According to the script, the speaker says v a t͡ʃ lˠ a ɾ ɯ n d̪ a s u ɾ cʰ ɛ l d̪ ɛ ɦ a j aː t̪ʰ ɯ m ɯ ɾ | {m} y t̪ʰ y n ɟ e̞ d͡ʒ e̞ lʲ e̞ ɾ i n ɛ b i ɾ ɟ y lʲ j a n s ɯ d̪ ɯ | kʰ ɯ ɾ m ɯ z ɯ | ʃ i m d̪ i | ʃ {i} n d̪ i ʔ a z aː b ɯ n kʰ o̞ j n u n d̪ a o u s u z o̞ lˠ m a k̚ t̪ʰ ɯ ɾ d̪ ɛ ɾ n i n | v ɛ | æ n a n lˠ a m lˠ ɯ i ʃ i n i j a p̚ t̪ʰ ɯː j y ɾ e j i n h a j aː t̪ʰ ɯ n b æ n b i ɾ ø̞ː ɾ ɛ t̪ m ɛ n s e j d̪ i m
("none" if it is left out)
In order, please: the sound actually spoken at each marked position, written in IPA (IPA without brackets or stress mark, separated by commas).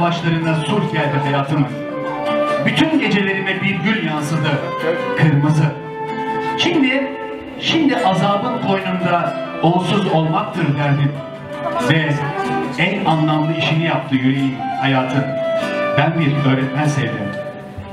b, i